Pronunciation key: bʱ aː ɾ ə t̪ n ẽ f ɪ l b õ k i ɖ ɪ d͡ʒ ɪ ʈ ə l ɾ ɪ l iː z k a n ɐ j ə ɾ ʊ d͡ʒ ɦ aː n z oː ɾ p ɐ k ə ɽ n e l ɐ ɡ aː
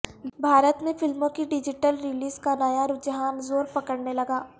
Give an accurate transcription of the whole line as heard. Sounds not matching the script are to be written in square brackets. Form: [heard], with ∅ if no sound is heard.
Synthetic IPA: bʱ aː ɾ ə t̪ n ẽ f ɪ l [m] õ k i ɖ ɪ d͡ʒ ɪ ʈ ə l ɾ ɪ l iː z k a n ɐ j [a] ɾ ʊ d͡ʒ ɦ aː n z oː ɾ p ɐ k ə ɽ n e l ɐ ɡ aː